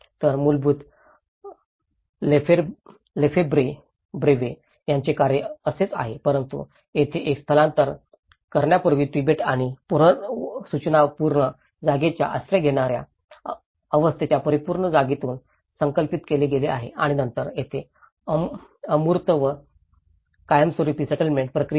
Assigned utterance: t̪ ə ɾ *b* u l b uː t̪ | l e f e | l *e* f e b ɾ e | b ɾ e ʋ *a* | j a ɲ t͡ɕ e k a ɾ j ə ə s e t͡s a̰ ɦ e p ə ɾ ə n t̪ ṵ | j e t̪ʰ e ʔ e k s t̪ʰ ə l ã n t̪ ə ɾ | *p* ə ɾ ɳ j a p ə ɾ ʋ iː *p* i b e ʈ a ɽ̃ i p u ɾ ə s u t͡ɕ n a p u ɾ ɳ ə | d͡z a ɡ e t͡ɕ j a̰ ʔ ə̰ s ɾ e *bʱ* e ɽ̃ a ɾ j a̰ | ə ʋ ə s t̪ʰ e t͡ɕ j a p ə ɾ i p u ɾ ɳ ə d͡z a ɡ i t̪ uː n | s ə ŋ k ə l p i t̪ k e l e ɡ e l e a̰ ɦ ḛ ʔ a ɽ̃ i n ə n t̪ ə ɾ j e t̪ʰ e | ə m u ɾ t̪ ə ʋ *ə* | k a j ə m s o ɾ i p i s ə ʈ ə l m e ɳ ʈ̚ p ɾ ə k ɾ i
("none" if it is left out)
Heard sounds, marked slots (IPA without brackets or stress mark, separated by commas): m, e, e, k, p, ɡʱ, ə